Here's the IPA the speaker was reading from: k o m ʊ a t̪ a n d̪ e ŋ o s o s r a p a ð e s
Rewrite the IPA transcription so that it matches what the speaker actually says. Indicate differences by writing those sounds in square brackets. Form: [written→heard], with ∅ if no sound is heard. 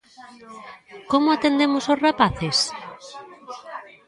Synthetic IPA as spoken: k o m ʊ a t̪ [a→e] n d̪ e [ŋ→m] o s o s r a p a [ð→θ] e s

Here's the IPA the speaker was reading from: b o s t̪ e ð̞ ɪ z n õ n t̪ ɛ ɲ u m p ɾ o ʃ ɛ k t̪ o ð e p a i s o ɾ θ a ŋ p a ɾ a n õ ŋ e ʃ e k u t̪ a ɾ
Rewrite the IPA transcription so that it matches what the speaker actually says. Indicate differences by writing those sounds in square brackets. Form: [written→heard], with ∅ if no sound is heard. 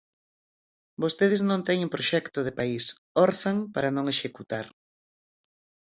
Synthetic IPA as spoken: b o s t̪ e ð̞ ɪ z n õ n t̪ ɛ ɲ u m p ɾ o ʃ ɛ k t̪ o ð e p a i s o ɾ θ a ŋ p a ɾ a n õ ŋ e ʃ e k u t̪ a ɾ

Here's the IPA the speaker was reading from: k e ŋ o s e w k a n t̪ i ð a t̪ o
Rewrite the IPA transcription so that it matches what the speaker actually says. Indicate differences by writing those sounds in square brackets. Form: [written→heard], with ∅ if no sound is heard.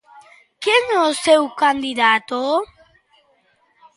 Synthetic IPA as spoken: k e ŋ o s e w k a n [t̪→d̪] i ð a t̪ o

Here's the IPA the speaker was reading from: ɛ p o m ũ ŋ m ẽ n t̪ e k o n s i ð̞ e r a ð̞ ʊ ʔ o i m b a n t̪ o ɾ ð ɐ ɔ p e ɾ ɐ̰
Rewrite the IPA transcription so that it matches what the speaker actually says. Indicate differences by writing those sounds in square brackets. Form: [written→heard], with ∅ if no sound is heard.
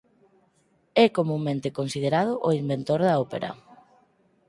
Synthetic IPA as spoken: ɛ [p→k] o m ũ ŋ m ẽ n t̪ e k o n s i ð̞ e [r→ɾ] a ð̞ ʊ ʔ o i m b [a→e] n t̪ o ɾ ð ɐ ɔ p e ɾ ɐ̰

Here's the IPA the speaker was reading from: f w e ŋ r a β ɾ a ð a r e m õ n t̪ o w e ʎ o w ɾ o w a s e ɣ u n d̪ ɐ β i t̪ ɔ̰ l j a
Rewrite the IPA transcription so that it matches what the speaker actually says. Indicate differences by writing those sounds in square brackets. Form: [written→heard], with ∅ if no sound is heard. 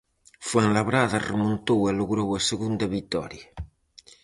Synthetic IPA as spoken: f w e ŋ [r→l] a β ɾ a ð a r e m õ n t̪ o w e [ʎ→l] o [w→ɣ] ɾ o w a s e ɣ u n d̪ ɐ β i t̪ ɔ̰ [l→ɾ] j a

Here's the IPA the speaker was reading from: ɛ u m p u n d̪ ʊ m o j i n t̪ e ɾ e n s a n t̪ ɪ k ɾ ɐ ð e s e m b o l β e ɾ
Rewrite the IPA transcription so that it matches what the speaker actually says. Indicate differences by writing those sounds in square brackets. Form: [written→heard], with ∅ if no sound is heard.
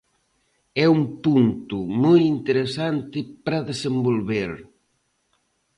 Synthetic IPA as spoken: ɛ u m p u n [d̪→t̪] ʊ m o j i n t̪ e ɾ e [n→∅] s a n t̪ ɪ [k→p] ɾ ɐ ð e s e m b o l β e ɾ

